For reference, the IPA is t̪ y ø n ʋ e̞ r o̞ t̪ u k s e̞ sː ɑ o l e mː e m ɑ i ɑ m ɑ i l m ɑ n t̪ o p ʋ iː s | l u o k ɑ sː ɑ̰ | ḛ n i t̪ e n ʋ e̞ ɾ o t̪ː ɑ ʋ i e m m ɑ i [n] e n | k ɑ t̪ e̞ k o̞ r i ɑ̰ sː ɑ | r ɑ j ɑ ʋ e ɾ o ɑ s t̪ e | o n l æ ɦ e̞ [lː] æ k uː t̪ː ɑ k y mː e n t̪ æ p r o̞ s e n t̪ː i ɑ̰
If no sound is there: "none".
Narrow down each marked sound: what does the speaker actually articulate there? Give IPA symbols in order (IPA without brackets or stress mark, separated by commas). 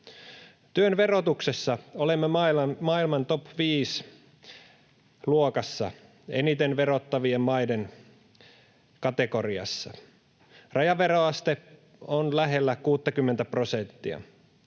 d, lː